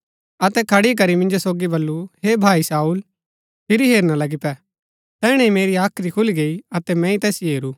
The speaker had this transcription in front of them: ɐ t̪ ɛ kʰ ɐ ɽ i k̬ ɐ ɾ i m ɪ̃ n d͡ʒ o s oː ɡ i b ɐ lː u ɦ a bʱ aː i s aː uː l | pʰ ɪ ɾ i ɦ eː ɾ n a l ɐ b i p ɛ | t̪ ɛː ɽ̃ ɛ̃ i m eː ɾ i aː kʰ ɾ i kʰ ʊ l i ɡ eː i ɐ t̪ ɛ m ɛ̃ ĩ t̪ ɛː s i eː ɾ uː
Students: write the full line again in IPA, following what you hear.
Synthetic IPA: ɐ t̪ ɛ kʰ ɐ ɽ i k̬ ɐ ɾ i m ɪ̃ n d͡ʒ o s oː ɡ i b ɐ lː u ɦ e bʱ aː i s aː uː l | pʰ ɪ ɾ i ɦ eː ɾ n a l ɐ ɡ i p ɛ | t̪ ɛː ɽ̃ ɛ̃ i m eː ɾ i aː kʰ ɾ i kʰ ʊ l i ɡ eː i ɐ t̪ ɛ m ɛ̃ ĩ t̪ ɛː s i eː ɾ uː